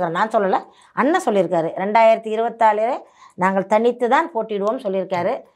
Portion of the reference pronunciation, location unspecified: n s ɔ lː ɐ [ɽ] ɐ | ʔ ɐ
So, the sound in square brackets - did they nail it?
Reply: no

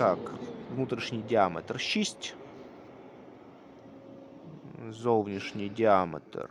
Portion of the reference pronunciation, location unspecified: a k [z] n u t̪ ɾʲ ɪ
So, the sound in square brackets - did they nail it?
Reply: no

